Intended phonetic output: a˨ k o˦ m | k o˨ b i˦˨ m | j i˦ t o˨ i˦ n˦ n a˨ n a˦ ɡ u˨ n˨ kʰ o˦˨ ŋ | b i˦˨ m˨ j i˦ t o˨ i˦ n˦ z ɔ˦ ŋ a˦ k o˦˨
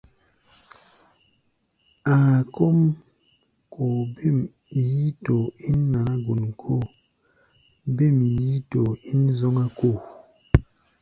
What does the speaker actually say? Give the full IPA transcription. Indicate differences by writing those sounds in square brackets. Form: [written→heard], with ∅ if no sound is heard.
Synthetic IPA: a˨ k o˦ m | k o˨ b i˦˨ m | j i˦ t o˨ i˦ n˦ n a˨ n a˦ ɡ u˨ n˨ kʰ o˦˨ [ŋ→∅] | b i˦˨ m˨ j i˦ t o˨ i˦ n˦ z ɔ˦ ŋ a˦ k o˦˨